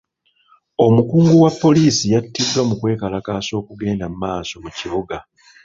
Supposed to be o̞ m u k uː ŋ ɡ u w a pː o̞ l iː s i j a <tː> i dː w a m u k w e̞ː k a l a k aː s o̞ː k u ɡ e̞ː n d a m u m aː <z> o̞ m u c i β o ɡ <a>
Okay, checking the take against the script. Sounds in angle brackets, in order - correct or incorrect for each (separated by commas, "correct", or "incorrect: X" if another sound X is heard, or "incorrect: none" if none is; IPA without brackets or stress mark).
correct, incorrect: s, correct